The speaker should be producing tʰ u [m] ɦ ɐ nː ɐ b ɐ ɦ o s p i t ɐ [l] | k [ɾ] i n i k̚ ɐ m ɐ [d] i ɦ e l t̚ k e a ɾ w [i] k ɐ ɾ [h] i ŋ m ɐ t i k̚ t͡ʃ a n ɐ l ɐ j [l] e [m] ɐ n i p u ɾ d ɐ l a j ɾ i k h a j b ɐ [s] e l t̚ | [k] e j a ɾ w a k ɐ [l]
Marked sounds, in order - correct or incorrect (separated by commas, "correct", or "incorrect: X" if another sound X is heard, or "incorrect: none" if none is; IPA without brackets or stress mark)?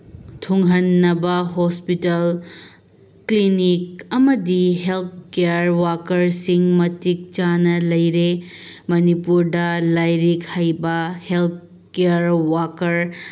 incorrect: ŋ, correct, incorrect: l, correct, incorrect: a, incorrect: s, incorrect: ɾ, correct, incorrect: h, correct, incorrect: ɾ